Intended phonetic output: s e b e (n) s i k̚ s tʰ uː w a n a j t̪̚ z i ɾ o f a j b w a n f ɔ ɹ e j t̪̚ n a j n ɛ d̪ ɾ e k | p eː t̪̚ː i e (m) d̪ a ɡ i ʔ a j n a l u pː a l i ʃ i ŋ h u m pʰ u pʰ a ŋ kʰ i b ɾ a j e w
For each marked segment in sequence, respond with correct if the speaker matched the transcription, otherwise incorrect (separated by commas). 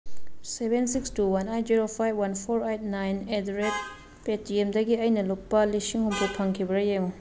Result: correct, correct